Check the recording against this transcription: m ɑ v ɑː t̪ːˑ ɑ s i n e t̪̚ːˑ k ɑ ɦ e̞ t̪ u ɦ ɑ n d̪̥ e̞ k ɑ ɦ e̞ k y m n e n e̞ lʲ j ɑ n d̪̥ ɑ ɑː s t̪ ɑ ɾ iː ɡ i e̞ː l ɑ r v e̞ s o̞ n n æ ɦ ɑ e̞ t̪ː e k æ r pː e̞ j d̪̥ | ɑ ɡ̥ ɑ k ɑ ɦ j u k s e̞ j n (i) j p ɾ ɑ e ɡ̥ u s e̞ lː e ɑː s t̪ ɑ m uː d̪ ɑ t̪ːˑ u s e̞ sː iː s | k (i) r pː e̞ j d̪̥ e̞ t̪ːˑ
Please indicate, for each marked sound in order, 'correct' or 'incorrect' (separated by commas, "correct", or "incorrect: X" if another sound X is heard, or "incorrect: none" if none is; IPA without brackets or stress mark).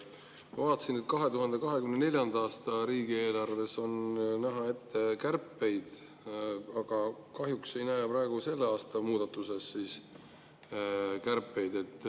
incorrect: æ, incorrect: æ